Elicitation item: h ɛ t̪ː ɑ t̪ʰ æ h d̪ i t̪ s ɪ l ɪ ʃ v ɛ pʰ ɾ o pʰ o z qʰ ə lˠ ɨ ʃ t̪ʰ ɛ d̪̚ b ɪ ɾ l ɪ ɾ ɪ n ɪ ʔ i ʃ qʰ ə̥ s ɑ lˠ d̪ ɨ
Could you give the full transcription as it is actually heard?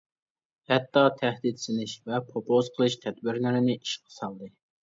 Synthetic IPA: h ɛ t̪ː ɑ t̪ʰ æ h d̪ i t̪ s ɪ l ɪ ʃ v ɛ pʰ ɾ o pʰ o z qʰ ə lˠ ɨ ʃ t̪ʰ ɛ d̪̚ b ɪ ɾ l ɪ ɾ ɪ n ɪ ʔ i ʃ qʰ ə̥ s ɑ lˠ d̪ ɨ